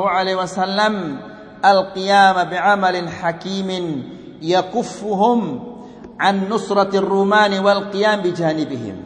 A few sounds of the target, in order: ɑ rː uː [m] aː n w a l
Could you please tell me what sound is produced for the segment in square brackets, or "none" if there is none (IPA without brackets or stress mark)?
m